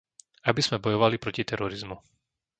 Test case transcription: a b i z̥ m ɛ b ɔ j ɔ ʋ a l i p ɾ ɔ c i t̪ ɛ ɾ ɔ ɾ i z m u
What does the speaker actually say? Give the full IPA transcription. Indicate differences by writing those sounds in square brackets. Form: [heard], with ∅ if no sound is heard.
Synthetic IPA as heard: a b i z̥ m ɛ b ɔ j ɔ ʋ a l i p ɾ ɔ c i t̪ ɛ ɾ ɔ ɾ i z m u